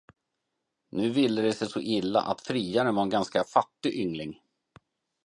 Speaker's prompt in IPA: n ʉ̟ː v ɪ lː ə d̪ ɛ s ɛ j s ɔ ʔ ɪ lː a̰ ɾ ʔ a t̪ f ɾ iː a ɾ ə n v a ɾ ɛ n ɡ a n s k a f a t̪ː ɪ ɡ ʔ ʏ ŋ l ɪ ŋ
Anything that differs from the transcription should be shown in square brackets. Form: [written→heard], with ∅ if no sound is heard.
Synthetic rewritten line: n ʉ̟ː v ɪ lː ə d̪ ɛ s ɛ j s ɔ ʔ ɪ lː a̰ [ɾ→∅] ʔ a t̪ f ɾ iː a ɾ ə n v a ɾ ɛ n ɡ a n s k a f a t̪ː ɪ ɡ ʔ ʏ ŋ l ɪ ŋ